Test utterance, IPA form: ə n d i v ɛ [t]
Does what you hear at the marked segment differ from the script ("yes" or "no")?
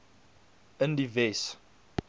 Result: yes